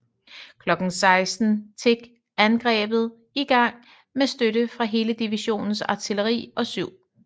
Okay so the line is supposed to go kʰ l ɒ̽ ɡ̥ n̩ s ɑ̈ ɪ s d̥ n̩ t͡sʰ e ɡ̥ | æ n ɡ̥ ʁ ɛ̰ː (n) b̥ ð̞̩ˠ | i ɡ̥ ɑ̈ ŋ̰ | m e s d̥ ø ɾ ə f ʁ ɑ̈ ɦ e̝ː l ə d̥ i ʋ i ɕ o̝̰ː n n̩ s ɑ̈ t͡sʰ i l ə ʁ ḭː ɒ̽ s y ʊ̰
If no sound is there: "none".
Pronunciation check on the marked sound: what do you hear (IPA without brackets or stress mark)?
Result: none